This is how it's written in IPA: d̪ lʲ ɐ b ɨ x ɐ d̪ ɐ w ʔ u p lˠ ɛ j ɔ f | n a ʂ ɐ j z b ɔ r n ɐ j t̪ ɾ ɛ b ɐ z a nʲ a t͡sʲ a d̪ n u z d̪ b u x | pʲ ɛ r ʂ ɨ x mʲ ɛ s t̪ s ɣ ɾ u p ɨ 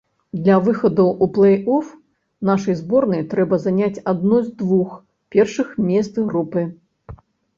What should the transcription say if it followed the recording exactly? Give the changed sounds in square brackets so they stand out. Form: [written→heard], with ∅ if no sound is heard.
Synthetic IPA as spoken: d̪ lʲ ɐ [b→v] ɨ x ɐ d̪ ɐ w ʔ u p lˠ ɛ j ɔ f | n a ʂ ɐ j z b ɔ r n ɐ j t̪ ɾ ɛ b ɐ z a nʲ a t͡sʲ a d̪ n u z d̪ [b→v] u x | pʲ ɛ r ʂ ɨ x mʲ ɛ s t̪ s ɣ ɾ u p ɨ